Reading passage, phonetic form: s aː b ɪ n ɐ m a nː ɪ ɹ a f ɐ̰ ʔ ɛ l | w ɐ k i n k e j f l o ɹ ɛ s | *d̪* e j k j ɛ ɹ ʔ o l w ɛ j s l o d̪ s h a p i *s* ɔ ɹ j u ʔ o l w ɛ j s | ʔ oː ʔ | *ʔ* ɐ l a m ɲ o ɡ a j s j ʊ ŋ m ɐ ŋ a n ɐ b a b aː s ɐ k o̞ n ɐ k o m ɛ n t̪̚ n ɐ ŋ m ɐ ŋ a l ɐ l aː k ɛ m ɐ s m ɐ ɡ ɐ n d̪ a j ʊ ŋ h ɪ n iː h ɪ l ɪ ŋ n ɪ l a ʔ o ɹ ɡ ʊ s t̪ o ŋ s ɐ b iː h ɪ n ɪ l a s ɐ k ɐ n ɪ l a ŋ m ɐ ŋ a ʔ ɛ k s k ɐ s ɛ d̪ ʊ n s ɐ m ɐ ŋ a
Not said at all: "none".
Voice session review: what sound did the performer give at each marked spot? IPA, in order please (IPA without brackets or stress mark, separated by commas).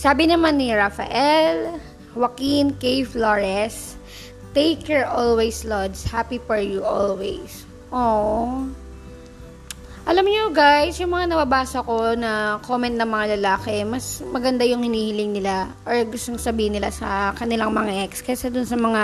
t̪, f, ʔ